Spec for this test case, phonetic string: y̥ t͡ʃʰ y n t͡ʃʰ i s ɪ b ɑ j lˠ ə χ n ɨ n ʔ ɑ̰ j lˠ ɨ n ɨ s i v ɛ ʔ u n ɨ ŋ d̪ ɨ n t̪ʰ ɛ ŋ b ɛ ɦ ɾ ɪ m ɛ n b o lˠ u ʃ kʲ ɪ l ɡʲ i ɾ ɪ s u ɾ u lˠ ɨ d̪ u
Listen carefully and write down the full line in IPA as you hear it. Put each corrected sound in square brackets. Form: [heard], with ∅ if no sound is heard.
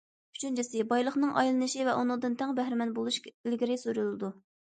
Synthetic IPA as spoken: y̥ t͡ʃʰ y n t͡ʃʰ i s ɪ b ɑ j lˠ ə χ n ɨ [ŋ] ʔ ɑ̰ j lˠ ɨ n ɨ [ʃ] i v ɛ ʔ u n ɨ ŋ d̪ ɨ n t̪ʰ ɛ ŋ b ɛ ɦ ɾ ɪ m ɛ n b o lˠ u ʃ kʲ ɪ l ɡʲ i ɾ ɪ s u ɾ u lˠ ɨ d̪ u